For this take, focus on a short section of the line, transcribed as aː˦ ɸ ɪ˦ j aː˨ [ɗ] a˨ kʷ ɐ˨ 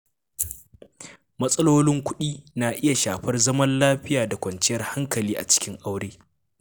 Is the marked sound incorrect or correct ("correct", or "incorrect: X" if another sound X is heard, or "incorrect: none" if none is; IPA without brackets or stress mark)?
incorrect: d